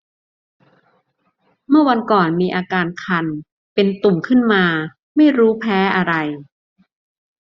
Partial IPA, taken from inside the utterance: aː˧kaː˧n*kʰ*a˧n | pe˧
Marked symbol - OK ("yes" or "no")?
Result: yes